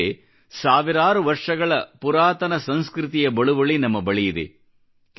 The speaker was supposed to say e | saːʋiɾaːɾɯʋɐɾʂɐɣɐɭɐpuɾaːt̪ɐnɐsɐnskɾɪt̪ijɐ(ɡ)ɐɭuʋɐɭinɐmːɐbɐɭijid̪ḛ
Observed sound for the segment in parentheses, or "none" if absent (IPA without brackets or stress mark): b